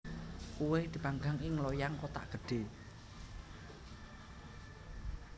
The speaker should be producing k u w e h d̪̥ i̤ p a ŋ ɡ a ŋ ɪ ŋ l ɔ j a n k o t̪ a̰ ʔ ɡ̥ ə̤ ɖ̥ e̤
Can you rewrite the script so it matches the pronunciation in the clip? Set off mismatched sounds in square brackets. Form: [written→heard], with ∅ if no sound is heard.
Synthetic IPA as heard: k u w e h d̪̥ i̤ p a ŋ ɡ a ŋ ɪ ŋ l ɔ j a [n→ŋ] k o t̪ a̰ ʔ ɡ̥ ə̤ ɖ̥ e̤